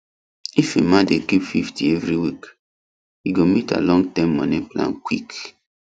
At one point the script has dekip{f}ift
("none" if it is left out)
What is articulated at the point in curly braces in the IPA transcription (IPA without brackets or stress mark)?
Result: f